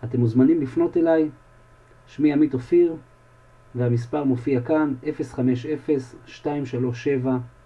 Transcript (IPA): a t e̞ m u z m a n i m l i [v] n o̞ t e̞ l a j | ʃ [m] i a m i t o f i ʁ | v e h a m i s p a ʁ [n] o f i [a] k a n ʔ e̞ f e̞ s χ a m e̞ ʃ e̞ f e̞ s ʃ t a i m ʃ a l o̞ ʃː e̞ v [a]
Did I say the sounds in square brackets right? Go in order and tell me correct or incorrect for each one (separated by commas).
incorrect, correct, incorrect, correct, correct